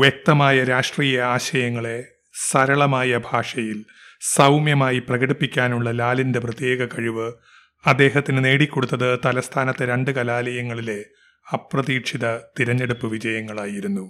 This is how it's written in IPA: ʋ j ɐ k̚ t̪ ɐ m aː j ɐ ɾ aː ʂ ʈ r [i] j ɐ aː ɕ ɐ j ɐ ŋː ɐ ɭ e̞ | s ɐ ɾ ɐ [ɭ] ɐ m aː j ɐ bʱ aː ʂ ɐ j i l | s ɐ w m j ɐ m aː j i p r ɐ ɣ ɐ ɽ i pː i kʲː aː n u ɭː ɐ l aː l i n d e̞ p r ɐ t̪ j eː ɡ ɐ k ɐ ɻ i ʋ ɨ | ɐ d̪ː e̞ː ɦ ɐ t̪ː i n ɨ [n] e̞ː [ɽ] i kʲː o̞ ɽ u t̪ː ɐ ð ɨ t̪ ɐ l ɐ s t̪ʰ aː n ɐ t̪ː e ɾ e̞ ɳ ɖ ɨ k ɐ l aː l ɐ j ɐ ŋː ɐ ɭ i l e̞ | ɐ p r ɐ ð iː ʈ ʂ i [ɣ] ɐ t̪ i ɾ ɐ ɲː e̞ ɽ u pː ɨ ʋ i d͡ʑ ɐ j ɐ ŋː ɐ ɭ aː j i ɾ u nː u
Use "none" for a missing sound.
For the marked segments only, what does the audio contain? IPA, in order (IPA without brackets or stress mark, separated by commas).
iː, ɭ, n, ɽ, ð